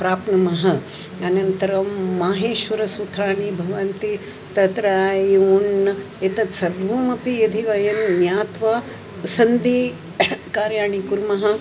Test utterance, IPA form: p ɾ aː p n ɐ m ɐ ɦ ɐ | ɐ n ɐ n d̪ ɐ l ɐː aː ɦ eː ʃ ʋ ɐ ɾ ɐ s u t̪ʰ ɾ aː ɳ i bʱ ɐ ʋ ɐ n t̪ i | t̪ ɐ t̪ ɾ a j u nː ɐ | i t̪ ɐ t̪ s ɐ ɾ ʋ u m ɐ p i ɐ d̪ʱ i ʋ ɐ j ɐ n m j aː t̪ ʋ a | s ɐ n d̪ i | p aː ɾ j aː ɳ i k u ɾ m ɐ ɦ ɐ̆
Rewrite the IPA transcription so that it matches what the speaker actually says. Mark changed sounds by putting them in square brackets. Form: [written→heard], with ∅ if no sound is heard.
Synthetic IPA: p ɾ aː p n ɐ m ɐ ɦ ɐ | ɐ n ɐ n [d̪→t̪] ɐ [l→ɾ] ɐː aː ɦ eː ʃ ʋ ɐ ɾ ɐ s u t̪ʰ ɾ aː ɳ i bʱ ɐ ʋ ɐ n t̪ i | t̪ ɐ t̪ ɾ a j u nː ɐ | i t̪ ɐ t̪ s ɐ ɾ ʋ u m ɐ p i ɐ d̪ʱ i ʋ ɐ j ɐ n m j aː t̪ ʋ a | s ɐ n d̪ i | [p→k] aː ɾ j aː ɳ i k u ɾ m ɐ ɦ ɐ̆